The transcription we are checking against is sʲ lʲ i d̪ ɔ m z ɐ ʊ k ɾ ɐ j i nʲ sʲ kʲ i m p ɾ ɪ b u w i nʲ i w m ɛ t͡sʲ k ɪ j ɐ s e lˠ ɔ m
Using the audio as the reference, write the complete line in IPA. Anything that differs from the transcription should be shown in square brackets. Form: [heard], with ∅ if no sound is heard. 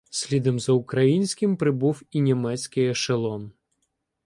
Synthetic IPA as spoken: sʲ lʲ i d̪ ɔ m z ɐ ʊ k ɾ ɐ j i nʲ sʲ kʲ [ɪ] m p ɾ ɪ b u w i nʲ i [∅] m ɛ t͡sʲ k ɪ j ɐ [ʃ] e lˠ ɔ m